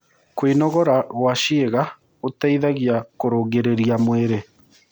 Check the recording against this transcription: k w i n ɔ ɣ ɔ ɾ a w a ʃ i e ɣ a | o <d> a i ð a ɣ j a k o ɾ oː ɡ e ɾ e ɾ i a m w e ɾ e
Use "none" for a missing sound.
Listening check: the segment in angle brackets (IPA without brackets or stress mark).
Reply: t